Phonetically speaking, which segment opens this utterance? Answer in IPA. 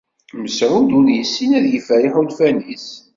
m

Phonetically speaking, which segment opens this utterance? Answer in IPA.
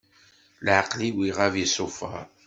l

